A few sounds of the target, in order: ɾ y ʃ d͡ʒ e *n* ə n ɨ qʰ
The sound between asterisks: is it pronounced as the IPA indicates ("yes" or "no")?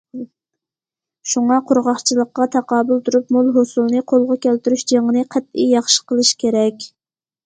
no